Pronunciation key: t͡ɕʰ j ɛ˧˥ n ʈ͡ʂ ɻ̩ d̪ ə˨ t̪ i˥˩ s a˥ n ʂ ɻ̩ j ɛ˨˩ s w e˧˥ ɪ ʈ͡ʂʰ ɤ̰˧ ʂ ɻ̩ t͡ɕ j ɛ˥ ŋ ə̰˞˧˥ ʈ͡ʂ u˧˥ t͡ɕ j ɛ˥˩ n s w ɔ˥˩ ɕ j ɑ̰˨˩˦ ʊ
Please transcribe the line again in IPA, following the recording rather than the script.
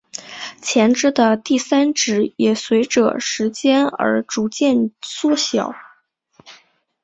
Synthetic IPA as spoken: t͡ɕʰ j ɛ˧˥ n ʈ͡ʂ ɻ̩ d̪ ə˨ t̪ i˥˩ s a˥ n ʈ͡ʂ ɻ̩ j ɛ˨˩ s w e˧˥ ɪ ʈ͡ʂ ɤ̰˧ ʂ ɻ̩ t͡ɕ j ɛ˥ n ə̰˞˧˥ ʈ͡ʂ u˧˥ t͡ɕ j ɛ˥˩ n s w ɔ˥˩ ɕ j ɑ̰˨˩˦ ʊ

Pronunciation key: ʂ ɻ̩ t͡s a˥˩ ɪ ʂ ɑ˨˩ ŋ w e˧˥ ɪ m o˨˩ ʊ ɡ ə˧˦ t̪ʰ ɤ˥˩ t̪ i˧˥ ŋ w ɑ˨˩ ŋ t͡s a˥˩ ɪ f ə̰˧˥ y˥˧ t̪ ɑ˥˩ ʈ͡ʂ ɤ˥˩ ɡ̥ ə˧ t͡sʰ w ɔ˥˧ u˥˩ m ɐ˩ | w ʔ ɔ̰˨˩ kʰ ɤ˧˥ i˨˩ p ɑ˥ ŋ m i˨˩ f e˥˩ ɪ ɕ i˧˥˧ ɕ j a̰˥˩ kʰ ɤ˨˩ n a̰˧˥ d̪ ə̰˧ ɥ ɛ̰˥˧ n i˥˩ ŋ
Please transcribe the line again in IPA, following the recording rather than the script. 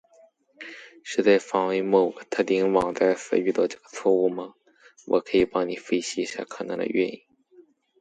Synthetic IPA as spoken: ʂ ɻ̩ t͡s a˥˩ ɪ f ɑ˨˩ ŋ w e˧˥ ɪ m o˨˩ ʊ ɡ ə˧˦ t̪ʰ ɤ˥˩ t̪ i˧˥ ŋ w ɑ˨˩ ŋ t͡s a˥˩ ɪ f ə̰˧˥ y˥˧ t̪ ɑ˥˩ ʈ͡ʂ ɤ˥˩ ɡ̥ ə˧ t͡sʰ w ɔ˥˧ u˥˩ m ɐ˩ | w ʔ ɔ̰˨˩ kʰ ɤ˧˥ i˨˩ p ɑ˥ ŋ n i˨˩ f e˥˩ ɪ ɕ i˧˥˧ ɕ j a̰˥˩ kʰ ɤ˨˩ n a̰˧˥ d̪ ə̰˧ ɥ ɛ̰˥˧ n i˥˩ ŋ

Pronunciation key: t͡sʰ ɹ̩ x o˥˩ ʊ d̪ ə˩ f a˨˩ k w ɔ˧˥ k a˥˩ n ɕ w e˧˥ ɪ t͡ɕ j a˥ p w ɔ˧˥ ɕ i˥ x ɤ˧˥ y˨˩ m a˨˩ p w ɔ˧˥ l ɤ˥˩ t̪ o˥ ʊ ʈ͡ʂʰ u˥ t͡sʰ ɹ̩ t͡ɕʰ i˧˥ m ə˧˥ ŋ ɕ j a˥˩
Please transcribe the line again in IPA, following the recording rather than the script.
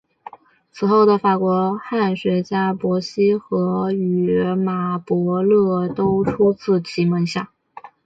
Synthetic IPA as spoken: t͡sʰ ɹ̩ x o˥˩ ʊ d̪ ə˩ f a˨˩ k w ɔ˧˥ x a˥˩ n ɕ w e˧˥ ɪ t͡ɕ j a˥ p w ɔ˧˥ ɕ i˥ x ɤ˧˥ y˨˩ m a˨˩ p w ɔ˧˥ l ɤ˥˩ t̪ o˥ ʊ ʈ͡ʂʰ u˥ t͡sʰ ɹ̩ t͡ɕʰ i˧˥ m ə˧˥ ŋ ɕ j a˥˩

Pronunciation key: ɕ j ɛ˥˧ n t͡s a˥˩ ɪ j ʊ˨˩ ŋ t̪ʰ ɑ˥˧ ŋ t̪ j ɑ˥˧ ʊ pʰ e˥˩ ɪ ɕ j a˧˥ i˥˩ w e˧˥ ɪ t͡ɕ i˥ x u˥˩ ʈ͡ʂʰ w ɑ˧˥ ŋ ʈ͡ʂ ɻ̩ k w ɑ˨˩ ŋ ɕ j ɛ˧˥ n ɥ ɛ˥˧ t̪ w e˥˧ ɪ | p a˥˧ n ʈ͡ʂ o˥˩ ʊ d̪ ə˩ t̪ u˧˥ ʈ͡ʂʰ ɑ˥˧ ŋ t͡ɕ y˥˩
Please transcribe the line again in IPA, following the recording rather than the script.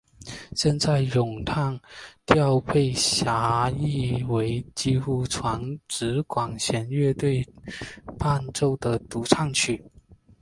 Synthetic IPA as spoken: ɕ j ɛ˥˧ n t͡s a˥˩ ɪ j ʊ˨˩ ŋ t̪ʰ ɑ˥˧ ŋ t̪ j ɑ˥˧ ʊ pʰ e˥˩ ɪ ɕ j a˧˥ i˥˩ w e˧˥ ɪ t͡ɕ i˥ x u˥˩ ʈ͡ʂʰ w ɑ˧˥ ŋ ʈ͡ʂ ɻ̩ k w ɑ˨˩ ŋ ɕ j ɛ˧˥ n ɥ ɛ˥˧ t̪ w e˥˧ ɪ | p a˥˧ n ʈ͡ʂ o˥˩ ʊ d̪ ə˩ t̪ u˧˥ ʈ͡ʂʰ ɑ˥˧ ŋ t͡ɕʰ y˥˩

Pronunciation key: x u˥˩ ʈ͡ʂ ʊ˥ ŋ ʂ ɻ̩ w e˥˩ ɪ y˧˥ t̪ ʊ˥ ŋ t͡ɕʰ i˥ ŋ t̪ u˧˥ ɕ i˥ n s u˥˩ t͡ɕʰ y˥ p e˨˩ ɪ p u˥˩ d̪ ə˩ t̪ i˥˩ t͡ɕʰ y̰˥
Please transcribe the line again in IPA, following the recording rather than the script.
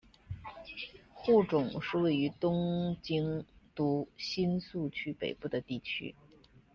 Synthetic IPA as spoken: x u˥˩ ʈ͡ʂ ʊ˨˩˦ ŋ ʂ ɻ̩ w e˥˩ ɪ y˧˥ t̪ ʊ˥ ŋ t͡ɕ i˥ ŋ t̪ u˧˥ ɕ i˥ n s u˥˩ t͡ɕʰ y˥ p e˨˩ ɪ p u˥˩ d̪ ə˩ t̪ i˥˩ t͡ɕʰ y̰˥

